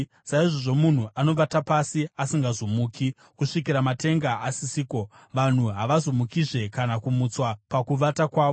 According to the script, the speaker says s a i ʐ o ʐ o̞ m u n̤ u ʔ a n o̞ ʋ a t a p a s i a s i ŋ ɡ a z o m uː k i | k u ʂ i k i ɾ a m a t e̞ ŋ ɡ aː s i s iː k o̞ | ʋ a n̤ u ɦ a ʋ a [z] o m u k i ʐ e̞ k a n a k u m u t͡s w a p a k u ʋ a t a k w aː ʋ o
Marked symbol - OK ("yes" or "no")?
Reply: yes